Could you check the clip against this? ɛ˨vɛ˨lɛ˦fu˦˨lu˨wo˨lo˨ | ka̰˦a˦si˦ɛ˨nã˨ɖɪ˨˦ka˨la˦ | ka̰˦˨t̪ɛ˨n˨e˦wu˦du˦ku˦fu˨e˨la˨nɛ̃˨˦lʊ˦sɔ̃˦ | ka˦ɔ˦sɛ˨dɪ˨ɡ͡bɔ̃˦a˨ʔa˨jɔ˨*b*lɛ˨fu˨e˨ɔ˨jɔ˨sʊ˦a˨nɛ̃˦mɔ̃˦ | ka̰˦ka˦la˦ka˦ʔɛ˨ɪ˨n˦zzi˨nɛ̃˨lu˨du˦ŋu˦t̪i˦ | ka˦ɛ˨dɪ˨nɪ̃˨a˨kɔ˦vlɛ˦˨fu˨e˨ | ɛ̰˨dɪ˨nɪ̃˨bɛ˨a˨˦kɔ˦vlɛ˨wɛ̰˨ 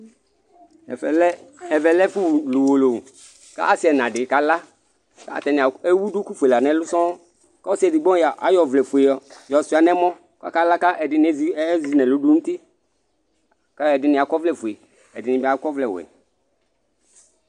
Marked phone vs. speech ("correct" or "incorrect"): incorrect